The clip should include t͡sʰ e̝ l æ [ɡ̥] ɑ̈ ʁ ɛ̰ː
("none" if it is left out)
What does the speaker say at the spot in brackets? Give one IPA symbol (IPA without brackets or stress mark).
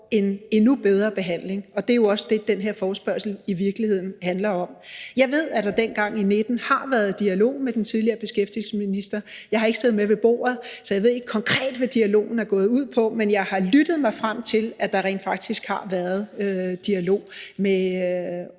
d̥